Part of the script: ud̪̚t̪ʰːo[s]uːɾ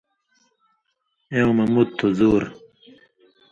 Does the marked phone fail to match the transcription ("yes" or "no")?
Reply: yes